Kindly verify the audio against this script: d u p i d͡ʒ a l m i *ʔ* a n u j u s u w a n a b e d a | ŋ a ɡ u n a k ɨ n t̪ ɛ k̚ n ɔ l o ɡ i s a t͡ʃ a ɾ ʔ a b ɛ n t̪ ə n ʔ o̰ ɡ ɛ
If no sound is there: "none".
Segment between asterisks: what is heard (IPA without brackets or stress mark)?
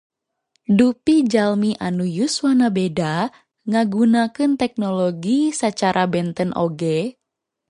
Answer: ʔ